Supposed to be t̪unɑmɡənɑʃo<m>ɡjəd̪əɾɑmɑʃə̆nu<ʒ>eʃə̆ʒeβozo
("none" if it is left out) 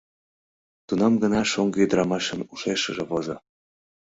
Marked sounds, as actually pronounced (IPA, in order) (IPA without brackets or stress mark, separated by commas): ŋ, ʃ